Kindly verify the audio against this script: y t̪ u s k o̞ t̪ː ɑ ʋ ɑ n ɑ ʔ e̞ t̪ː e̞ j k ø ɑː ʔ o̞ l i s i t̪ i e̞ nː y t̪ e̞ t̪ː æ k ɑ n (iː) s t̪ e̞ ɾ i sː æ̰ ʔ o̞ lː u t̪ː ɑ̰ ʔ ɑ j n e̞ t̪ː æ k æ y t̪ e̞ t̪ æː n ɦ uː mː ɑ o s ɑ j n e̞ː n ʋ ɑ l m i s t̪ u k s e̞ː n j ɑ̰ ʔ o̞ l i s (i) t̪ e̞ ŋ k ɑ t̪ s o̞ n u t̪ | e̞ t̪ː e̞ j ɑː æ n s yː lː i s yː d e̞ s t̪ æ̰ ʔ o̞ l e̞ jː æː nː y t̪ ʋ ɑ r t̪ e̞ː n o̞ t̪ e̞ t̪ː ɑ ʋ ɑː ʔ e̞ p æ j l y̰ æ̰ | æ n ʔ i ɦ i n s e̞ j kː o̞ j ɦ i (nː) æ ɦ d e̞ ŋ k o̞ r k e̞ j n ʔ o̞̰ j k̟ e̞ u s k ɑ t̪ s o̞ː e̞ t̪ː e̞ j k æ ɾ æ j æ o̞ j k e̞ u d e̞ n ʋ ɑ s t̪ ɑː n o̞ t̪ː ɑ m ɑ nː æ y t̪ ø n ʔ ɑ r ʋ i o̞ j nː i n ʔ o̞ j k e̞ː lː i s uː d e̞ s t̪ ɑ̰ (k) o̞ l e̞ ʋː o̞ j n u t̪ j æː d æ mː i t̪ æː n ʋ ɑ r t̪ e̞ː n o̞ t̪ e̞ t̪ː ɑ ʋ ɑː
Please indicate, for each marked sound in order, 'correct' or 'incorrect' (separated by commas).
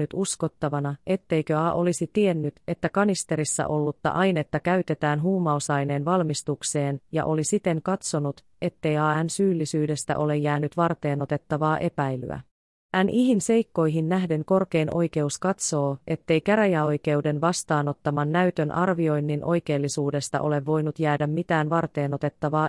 incorrect, correct, correct, incorrect